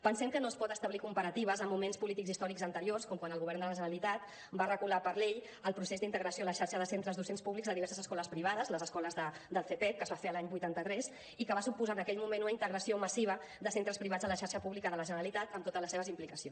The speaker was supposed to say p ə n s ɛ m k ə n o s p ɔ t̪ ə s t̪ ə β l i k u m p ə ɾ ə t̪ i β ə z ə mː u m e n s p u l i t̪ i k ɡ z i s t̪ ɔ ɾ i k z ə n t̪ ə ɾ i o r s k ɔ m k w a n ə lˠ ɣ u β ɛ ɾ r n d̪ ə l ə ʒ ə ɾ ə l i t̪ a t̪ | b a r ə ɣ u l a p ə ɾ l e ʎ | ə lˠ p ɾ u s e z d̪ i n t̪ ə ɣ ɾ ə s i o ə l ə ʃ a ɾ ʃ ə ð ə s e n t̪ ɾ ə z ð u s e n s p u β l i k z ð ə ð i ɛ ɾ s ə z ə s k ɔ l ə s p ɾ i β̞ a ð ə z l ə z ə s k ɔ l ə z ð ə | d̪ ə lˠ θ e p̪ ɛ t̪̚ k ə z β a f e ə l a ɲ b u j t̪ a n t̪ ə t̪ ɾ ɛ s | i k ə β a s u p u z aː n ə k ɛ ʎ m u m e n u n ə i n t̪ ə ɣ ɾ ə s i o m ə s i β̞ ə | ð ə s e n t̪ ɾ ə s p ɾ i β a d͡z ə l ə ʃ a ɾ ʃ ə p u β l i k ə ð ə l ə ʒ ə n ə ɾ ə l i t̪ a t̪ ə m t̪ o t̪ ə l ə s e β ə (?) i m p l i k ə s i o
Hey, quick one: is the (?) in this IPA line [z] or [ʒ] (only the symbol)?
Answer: z